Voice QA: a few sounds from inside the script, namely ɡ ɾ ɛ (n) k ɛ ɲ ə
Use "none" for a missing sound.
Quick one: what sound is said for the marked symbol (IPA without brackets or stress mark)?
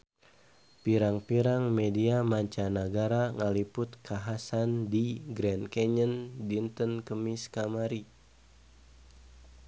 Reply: n